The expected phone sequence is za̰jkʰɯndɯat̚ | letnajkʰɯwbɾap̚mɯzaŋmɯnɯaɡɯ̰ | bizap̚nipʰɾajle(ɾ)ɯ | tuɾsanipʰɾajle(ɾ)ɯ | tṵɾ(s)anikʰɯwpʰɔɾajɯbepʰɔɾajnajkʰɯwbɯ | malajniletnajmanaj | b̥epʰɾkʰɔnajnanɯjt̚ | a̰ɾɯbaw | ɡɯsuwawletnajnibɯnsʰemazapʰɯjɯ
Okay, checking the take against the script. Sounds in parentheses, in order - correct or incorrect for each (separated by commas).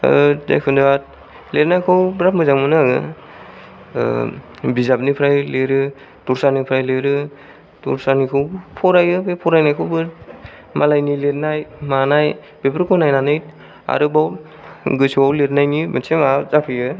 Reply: correct, correct, correct